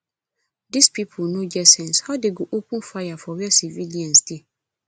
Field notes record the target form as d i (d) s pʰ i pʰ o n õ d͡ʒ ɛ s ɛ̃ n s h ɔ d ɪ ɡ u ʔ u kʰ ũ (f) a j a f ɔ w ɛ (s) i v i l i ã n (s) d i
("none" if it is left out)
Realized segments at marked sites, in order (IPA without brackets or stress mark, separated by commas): none, f, s, s